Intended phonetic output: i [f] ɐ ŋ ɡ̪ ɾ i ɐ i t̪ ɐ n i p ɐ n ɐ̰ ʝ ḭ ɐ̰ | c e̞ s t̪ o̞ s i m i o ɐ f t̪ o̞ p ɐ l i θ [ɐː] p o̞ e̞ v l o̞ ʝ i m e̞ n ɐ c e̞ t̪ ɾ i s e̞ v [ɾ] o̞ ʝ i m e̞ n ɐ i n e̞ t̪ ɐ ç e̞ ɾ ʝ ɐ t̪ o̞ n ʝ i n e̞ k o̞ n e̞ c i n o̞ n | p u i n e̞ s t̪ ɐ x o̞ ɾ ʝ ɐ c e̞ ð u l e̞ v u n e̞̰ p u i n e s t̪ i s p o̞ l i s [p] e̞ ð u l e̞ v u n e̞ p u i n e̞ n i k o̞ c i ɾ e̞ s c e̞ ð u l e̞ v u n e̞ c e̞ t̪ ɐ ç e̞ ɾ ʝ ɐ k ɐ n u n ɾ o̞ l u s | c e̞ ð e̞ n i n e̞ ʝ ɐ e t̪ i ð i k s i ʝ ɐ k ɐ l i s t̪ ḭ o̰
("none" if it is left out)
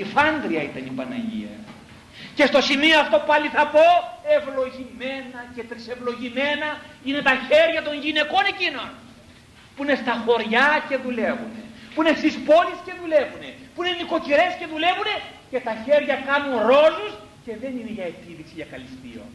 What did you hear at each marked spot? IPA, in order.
f, ɐ, l, c

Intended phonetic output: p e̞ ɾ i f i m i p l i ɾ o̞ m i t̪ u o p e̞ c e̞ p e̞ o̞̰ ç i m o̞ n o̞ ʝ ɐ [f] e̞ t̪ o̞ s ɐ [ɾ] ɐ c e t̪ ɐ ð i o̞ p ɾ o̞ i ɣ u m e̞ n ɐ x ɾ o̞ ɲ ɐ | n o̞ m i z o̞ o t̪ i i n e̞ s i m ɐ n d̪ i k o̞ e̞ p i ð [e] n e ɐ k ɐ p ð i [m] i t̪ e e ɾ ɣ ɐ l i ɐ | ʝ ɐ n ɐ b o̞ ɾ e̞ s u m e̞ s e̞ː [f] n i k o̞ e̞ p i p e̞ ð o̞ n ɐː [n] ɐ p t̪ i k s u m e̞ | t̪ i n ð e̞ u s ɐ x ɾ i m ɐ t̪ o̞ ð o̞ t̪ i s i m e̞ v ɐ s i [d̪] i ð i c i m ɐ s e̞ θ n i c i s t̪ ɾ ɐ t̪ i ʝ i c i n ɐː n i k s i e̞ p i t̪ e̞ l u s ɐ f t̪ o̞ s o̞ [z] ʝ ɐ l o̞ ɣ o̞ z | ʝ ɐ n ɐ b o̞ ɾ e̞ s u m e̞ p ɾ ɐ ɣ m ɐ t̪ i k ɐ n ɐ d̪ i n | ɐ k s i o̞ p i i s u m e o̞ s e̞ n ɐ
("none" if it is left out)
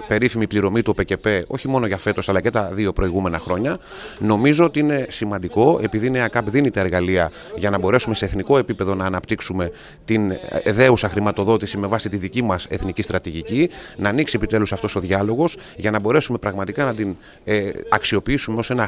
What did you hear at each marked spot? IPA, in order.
f, l, i, n, θ, n, t̪, ð

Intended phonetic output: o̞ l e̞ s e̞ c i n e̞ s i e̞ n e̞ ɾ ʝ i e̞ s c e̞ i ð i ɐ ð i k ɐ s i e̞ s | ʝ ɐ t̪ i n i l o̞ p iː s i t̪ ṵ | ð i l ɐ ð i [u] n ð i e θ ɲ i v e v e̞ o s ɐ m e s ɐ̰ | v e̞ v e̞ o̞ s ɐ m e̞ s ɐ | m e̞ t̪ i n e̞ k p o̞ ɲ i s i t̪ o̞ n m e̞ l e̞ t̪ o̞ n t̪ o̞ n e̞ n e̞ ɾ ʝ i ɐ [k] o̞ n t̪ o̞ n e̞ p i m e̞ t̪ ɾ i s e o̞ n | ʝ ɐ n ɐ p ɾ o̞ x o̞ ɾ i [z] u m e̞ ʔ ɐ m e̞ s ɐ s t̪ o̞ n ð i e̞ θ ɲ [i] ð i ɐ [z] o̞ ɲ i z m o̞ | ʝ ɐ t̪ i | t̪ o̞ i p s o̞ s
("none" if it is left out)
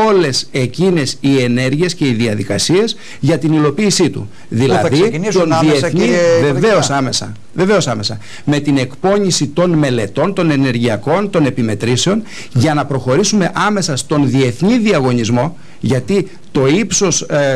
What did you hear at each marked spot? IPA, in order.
o, k, s, i, ɣ

